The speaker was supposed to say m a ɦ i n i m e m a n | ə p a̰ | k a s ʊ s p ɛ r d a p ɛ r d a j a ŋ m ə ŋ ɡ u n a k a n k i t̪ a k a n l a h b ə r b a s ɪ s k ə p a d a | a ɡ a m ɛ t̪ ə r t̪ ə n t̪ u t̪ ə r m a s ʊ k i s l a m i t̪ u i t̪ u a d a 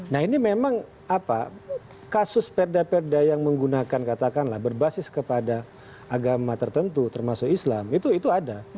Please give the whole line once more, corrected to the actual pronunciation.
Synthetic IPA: n a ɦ i n i m e m a ŋ | a p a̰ | k a s ʊ s p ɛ r d a p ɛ r d a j a ŋ m ə ŋ ɡ u n a k a n k a t̪ a k a n l a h b ə r b a s ɪ s k ə p a d a | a ɡ a m a t̪ ə r t̪ ə n t̪ u t̪ ə r m a s ʊ k i s l a m i t̪ u i t̪ u a d a